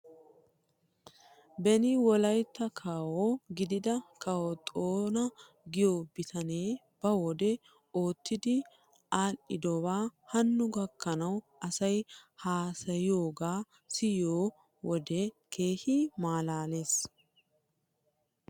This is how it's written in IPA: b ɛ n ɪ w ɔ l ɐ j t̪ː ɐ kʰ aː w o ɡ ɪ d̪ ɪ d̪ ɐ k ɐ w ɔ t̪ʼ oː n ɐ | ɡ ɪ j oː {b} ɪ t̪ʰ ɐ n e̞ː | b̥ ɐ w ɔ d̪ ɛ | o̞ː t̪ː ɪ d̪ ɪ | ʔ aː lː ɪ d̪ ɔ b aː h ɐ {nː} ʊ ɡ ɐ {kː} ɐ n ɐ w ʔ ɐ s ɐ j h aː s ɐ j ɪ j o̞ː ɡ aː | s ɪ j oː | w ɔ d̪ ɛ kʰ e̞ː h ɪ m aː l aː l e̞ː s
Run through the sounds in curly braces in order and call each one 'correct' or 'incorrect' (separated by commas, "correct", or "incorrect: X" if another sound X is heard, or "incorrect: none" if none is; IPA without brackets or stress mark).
correct, correct, correct